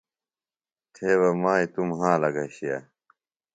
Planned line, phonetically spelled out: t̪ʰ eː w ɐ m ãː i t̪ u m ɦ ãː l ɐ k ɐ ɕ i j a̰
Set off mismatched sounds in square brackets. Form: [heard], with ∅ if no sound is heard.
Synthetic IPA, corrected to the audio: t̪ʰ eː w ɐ m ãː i t̪ u m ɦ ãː l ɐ [ɡ] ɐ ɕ i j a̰